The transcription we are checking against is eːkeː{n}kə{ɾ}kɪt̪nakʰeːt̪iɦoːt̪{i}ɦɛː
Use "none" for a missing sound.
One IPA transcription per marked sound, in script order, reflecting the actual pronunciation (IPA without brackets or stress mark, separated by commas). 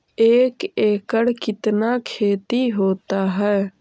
none, ɽ, a